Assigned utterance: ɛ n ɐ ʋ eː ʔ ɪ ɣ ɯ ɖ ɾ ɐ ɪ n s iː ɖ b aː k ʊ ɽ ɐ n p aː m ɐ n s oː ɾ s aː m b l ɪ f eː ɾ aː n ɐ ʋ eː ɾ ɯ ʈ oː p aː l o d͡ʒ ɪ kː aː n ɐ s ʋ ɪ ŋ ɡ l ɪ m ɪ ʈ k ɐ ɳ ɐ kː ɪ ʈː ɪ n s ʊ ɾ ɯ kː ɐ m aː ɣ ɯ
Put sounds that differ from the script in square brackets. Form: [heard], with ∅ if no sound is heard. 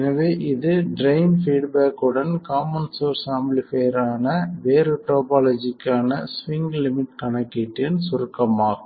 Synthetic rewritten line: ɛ n ɐ ʋ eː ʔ ɪ [ð] ɯ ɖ ɾ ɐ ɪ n [f] iː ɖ b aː k [ɯ] ɽ ɐ n [k] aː m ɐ n s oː ɾ s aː m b l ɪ f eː ɾ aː n ɐ ʋ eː ɾ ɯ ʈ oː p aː l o d͡ʒ ɪ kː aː n ɐ s ʋ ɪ ŋ ɡ l ɪ m ɪ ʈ k ɐ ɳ ɐ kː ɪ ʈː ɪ n s ʊ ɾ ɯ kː ɐ m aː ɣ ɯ